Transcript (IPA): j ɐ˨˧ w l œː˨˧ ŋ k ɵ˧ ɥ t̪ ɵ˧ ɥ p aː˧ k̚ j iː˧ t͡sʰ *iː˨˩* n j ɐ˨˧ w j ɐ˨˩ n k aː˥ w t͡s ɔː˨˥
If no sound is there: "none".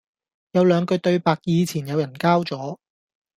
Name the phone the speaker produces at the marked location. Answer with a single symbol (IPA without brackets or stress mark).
iː˨˩